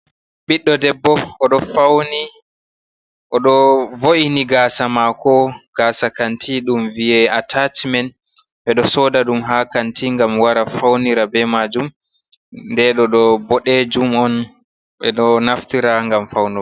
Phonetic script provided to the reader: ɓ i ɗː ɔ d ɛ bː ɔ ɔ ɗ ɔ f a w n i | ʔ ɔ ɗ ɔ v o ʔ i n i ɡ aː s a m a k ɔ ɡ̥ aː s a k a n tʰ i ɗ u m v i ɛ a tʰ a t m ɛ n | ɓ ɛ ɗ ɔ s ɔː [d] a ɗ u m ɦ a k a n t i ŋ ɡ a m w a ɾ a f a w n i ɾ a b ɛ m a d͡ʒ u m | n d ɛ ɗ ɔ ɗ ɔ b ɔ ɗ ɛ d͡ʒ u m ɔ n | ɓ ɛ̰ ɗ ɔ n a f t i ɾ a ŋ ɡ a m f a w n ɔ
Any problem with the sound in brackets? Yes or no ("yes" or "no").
no